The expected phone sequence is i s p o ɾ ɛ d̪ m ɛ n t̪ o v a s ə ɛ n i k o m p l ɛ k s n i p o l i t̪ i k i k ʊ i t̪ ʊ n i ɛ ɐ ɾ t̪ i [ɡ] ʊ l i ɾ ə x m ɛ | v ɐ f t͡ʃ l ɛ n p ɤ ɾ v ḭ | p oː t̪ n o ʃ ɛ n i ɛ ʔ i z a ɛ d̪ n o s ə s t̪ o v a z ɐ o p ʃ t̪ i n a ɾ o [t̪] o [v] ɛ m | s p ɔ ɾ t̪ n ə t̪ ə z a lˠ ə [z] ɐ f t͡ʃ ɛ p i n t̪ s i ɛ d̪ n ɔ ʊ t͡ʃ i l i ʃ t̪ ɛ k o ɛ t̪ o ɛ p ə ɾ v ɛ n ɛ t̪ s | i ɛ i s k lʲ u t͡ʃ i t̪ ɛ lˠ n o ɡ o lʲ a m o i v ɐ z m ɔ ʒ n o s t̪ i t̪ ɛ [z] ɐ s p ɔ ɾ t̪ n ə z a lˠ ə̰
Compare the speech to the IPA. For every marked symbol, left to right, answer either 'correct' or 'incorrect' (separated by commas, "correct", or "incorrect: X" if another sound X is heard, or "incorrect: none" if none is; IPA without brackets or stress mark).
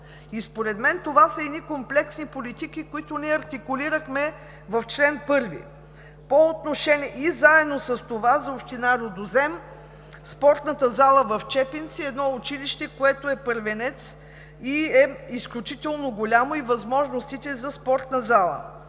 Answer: incorrect: k, incorrect: d̪, incorrect: z, incorrect: v, correct